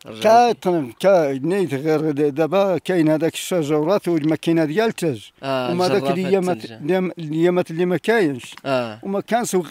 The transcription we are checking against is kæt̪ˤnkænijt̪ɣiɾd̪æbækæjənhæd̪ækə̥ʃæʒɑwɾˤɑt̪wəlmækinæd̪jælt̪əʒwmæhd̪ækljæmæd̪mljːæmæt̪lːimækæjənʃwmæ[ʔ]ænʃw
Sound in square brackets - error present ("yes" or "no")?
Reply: yes